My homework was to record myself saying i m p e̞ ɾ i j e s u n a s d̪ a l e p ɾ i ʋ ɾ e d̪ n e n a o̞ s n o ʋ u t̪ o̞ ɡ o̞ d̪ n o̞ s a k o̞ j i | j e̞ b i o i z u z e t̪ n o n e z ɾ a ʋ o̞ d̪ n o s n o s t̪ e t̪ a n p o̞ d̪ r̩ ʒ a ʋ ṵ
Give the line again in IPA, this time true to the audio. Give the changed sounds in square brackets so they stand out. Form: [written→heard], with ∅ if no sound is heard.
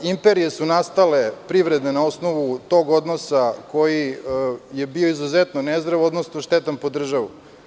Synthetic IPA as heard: i m p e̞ ɾ i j e s u n a s [d̪→t̪] a l e p ɾ i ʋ ɾ e d̪ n e n a o̞ s n o ʋ u t̪ o̞ ɡ o̞ d̪ n o̞ s a k o̞ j i | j e̞ b i o i z u z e t̪ n o n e z ɾ a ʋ o̞ d̪ n o s n o [s→ʃ] t̪ e t̪ a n p o̞ d̪ r̩ ʒ a ʋ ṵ